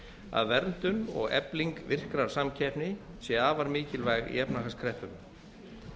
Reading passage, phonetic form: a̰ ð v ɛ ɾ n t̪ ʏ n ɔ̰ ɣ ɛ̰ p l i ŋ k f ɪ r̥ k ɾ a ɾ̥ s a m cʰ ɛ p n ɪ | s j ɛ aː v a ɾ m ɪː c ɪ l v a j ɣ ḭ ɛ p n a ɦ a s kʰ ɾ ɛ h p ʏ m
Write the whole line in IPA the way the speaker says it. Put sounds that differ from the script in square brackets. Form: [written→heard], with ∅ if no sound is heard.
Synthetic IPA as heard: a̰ ð v ɛ ɾ n t̪ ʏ n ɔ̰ ɣ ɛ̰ p l i ŋ k [f→v] ɪ r̥ k ɾ a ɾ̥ s a m cʰ ɛ p n ɪ | s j ɛ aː v a ɾ m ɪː c ɪ l v a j ɣ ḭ ɛ p n a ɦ a s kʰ ɾ ɛ h p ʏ m